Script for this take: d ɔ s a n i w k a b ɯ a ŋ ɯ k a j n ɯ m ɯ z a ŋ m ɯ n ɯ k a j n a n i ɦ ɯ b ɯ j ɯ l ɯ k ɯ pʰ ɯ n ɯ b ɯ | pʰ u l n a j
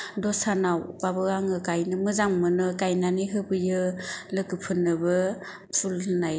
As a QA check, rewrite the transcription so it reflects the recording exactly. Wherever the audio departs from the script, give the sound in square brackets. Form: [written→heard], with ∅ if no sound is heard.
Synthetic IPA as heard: d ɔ s a n [i→a] w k a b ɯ a ŋ ɯ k a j n ɯ m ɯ z a ŋ m ɯ n ɯ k a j n a n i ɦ ɯ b ɯ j ɯ l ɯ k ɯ pʰ ɯ n ɯ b ɯ | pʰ u l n a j